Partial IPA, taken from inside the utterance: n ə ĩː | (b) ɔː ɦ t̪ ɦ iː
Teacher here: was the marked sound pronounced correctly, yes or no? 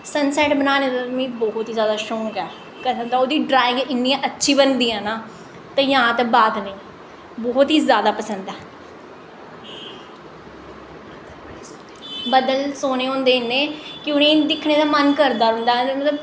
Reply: yes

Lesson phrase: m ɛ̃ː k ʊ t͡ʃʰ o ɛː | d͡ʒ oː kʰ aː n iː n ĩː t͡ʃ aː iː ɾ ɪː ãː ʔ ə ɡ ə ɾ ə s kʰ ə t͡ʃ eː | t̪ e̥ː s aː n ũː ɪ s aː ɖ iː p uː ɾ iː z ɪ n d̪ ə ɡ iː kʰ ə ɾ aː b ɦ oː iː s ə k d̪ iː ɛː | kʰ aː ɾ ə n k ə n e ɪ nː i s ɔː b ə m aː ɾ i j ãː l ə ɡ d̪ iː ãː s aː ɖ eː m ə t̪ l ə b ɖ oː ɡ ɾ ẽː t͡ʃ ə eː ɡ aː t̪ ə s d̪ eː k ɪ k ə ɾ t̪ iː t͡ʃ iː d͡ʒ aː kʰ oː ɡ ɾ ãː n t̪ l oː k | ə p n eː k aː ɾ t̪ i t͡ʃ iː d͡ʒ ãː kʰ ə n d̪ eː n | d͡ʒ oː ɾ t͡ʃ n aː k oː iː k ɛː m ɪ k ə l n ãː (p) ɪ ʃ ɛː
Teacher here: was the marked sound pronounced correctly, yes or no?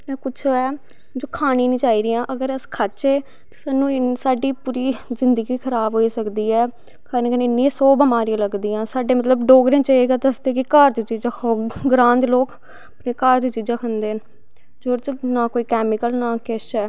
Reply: no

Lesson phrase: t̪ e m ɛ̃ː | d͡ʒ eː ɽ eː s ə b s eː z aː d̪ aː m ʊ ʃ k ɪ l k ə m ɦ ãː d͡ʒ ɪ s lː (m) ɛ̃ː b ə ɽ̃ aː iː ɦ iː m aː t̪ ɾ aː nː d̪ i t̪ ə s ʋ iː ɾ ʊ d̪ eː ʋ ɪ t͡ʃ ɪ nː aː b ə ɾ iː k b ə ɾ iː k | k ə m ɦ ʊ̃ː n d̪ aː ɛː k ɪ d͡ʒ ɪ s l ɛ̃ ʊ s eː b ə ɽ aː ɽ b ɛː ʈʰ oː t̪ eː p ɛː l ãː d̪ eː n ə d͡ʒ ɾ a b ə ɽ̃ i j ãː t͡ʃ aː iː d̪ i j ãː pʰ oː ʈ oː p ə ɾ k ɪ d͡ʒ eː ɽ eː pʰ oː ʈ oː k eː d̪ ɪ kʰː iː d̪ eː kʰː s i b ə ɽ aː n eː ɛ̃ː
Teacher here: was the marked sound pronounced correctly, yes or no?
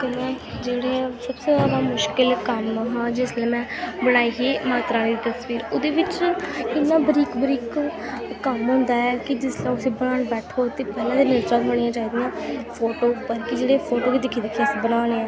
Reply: yes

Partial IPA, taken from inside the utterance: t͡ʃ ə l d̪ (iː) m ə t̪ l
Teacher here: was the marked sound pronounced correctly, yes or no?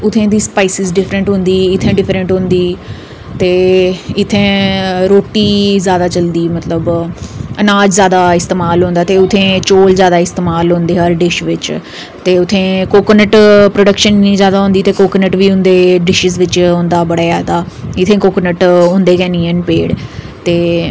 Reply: yes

